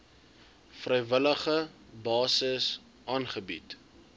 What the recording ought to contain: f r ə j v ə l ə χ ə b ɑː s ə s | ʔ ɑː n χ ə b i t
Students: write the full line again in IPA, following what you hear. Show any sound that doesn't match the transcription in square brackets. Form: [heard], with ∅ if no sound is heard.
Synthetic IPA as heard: f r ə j v ə l ə χ ə b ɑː s ə s | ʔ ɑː n χ ə b i t